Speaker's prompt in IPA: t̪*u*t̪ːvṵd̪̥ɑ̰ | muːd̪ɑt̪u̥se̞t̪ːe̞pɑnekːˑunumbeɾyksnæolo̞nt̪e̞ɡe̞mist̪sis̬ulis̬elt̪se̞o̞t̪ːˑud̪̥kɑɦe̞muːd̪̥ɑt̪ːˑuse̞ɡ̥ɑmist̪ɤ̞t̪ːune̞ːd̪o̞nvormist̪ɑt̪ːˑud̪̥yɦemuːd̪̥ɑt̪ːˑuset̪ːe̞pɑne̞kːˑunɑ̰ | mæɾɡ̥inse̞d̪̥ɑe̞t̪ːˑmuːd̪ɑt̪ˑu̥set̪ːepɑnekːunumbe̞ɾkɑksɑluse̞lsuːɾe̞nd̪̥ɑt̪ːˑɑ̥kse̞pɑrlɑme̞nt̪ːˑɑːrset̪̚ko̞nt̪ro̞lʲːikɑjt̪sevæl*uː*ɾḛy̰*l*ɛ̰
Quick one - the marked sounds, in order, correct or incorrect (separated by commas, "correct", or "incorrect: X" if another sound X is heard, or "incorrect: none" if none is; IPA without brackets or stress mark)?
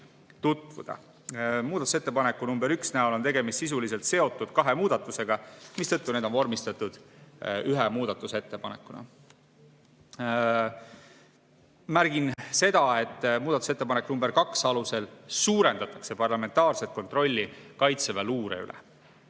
correct, correct, correct